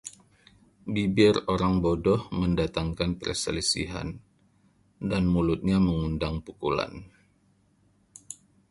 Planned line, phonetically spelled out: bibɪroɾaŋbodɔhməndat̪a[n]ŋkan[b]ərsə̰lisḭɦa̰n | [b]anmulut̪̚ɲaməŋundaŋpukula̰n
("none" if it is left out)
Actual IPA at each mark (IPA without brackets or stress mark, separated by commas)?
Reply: none, p, d